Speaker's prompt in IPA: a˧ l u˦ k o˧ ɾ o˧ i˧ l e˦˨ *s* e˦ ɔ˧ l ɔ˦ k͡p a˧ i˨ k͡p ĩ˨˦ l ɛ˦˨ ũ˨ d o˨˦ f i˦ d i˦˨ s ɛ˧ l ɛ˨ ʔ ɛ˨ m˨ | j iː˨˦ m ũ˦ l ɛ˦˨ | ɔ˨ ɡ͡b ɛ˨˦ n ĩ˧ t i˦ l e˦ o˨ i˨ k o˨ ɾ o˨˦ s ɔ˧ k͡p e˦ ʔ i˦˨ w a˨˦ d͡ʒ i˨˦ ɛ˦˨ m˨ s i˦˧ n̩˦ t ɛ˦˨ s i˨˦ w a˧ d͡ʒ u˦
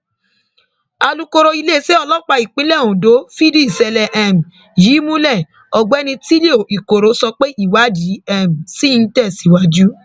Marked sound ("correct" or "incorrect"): correct